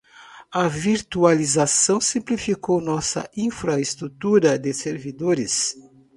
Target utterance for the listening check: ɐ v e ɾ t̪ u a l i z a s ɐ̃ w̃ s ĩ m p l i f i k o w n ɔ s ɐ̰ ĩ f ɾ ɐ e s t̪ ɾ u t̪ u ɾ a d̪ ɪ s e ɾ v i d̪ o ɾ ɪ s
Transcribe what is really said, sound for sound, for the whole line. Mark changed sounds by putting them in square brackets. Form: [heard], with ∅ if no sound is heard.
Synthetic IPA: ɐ v [i] ɾ t̪ u a l i z a s ɐ̃ w̃ s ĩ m p l i f i k o w n ɔ s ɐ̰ ĩ f ɾ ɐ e s t̪ ɾ u t̪ u ɾ [ɐ] d̪ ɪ s e ɾ v i d̪ o ɾ ɪ s

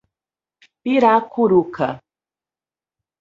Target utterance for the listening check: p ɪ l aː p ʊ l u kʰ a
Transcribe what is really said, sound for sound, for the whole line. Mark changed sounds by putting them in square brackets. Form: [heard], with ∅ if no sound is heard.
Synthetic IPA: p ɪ [ɾ] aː [k] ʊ [ɾ] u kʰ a

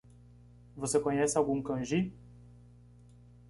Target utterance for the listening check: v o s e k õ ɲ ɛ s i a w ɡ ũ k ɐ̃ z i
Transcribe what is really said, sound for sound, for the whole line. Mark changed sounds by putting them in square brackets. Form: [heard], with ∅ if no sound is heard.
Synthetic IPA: v o s e k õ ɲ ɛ s [ɪ] a w ɡ ũ k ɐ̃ [ʒ] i

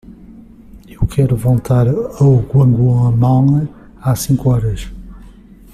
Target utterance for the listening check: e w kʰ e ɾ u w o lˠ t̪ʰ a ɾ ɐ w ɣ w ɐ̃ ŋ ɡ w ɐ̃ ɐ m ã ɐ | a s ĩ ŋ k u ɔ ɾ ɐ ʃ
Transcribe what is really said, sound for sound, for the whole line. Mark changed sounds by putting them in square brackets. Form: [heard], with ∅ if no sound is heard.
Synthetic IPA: e w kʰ [ɛ] ɾ u [v] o lˠ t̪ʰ a ɾ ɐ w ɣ w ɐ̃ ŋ ɡ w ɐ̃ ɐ m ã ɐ | a s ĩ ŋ k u ɔ ɾ ɐ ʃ

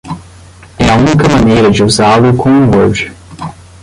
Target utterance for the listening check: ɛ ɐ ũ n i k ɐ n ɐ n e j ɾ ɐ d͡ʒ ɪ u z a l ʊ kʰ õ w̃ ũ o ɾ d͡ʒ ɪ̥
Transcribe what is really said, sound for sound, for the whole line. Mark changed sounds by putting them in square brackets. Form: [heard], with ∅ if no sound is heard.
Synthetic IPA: ɛ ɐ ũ n i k ɐ [m] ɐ n e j ɾ ɐ d͡ʒ ɪ u z a l ʊ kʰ õ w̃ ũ o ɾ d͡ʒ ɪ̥

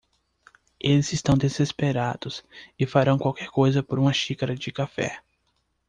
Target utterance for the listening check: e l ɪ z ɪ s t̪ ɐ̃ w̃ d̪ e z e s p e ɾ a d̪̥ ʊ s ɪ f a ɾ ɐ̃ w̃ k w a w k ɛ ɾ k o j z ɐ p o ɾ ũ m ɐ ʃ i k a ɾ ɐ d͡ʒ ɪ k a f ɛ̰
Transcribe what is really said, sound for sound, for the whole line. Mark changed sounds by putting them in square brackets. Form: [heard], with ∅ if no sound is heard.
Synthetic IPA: e l ɪ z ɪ s t̪ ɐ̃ w̃ d̪ e z e s p e ɾ a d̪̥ ʊ s ɪ f a ɾ ɐ̃ w̃ k w a w k ɛ ɾ k o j z ɐ p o ɾ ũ m ɐ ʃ i k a ɾ ɐ d͡ʒ ɪ k a f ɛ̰

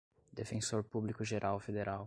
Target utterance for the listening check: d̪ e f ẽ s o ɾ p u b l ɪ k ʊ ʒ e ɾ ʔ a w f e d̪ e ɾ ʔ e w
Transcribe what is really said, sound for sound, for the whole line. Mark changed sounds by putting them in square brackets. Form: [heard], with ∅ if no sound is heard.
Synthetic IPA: d̪ e f ẽ s o ɾ p u b l [i] k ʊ ʒ e ɾ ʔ a w f e d̪ e ɾ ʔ [a] w

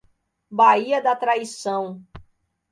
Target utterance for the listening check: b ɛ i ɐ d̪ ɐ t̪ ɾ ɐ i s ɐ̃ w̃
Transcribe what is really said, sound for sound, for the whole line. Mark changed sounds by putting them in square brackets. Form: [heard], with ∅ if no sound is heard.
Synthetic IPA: b [a] i ɐ d̪ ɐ t̪ ɾ [a] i s ɐ̃ w̃

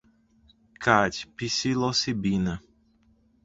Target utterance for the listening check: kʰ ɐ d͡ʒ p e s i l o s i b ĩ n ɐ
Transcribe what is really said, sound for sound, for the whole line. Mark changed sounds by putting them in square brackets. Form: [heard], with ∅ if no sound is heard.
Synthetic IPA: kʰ [a] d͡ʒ p [i] s i l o s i b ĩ n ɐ

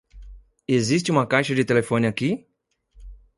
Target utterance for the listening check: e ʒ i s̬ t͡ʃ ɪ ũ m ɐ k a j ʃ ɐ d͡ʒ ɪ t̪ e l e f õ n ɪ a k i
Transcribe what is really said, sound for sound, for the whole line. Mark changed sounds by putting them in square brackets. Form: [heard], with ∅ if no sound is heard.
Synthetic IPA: e [z] i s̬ t͡ʃ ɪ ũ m ɐ k a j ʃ ɐ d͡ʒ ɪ t̪ e l e f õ n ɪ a k i

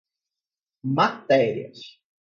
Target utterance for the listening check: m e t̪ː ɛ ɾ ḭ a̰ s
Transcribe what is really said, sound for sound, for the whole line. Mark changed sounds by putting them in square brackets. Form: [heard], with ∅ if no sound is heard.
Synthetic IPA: m [a] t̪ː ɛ ɾ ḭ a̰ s

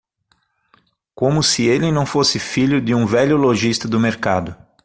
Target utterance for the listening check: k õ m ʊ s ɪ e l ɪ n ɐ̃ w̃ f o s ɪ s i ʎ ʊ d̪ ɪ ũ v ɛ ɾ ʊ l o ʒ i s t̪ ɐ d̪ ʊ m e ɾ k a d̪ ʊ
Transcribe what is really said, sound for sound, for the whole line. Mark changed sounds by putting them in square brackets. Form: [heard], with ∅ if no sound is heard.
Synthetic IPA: k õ m ʊ s ɪ e l ɪ n ɐ̃ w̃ f o s ɪ [f] i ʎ ʊ d̪ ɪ ũ v ɛ [ʎ] ʊ l o ʒ i s t̪ ɐ d̪ ʊ m e ɾ k a d̪ ʊ

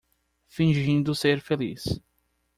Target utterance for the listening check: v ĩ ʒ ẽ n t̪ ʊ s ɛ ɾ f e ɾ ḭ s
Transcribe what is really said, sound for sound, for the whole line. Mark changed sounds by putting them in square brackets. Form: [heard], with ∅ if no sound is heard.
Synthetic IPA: [f] ĩ ʒ [ĩ] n [d̪] ʊ s [e] ɾ f e [l] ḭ s

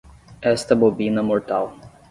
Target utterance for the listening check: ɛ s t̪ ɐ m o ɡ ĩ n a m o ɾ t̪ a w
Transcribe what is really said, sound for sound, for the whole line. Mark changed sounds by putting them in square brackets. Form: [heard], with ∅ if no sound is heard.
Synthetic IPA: ɛ s t̪ ɐ [b] o [b] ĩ n [ɐ] m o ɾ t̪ a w

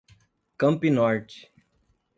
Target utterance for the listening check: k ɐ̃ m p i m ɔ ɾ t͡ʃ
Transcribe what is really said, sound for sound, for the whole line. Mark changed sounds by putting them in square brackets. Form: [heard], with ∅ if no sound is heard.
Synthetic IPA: k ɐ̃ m p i [n] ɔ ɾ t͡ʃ

